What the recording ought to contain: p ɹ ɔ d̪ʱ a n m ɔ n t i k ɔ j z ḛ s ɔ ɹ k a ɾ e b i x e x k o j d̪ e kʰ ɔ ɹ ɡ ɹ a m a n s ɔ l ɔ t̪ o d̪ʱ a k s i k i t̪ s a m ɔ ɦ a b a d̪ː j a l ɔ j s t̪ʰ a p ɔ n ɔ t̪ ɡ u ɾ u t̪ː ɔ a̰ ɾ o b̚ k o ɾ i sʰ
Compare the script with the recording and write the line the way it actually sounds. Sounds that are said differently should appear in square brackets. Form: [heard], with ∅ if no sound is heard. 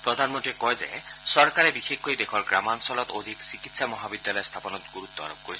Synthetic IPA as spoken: p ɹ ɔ d̪ʱ a n m ɔ n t i k ɔ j z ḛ s ɔ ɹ k a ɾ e b i x e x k o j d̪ e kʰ ɔ ɹ ɡ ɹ a m a n s ɔ l ɔ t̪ o d̪ʱ [i] k s i k i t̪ s a m ɔ ɦ a b [i] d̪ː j a l ɔ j s t̪ʰ a p ɔ n ɔ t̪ ɡ u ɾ u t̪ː ɔ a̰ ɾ o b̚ k o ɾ i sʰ